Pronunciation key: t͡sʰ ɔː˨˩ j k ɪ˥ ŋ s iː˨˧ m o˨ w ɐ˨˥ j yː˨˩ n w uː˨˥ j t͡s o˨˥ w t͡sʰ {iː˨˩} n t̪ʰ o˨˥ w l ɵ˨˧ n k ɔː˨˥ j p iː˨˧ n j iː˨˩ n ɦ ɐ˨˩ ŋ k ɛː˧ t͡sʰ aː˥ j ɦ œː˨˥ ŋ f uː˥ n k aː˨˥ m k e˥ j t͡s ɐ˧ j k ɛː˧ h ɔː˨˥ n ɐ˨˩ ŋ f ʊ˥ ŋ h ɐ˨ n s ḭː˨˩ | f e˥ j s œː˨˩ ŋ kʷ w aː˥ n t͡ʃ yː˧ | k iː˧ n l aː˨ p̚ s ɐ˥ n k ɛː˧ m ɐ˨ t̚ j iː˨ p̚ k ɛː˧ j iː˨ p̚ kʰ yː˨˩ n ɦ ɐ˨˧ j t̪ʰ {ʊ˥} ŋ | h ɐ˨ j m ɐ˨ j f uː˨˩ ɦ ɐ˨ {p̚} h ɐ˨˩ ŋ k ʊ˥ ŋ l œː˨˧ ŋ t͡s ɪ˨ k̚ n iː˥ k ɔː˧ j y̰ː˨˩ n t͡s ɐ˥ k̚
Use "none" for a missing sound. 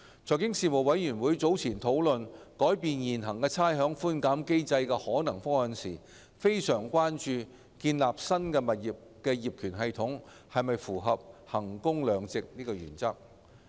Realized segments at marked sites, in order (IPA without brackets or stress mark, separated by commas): iː˨˩, ʊ˨˥, p̚